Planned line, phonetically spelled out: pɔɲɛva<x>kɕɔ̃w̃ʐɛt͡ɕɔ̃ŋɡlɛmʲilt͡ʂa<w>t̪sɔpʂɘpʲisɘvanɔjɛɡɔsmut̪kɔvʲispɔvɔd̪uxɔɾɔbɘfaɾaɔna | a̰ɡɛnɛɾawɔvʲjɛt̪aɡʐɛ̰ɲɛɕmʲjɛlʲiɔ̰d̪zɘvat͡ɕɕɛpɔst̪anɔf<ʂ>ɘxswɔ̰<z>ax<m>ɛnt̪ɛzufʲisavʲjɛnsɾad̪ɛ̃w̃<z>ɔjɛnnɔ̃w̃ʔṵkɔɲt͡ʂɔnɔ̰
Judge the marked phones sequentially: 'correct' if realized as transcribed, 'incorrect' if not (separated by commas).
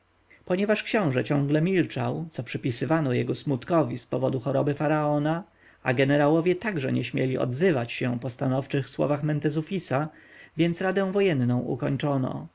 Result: incorrect, correct, incorrect, incorrect, correct, incorrect